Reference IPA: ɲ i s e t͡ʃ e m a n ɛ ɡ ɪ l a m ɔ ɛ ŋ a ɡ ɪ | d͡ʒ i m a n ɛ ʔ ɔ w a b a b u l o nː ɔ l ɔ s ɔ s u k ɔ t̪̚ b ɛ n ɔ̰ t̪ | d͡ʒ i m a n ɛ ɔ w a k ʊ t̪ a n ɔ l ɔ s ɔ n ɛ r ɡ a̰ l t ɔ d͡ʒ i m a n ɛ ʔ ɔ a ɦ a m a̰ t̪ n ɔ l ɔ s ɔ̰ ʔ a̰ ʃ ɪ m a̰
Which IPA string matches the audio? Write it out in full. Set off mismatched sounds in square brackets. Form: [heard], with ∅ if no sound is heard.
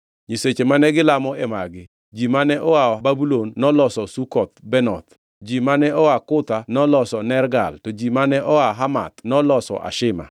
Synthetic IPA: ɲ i s e t͡ʃ e m a n ɛ ɡ ɪ l a m ɔ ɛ [m] a ɡ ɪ | d͡ʒ i m a n ɛ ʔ ɔ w a b a b u l o nː ɔ l ɔ s ɔ s u k ɔ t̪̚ b ɛ n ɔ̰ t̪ | d͡ʒ i m a n ɛ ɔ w a k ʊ t̪ a n ɔ l ɔ s ɔ n ɛ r ɡ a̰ l t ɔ d͡ʒ i m a n ɛ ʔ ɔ a ɦ a m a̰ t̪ n ɔ l ɔ s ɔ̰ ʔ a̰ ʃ ɪ m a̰